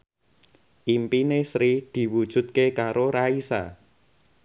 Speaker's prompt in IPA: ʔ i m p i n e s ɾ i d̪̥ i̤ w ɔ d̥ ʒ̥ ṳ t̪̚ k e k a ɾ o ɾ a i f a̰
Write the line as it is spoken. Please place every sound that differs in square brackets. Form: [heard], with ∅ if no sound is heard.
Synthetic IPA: ʔ i m p i n e s ɾ i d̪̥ i̤ w [u] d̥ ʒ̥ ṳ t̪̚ k e k a ɾ o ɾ a i [s] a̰